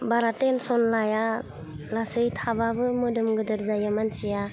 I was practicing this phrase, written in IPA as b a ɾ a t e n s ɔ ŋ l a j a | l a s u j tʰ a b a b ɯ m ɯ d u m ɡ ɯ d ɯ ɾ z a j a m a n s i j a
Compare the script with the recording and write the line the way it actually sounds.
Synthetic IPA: b a ɾ a t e n s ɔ n l a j a | l a s ɯ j tʰ a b a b ɯ m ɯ d ɯ m ɡ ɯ d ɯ ɾ z a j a m a n s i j a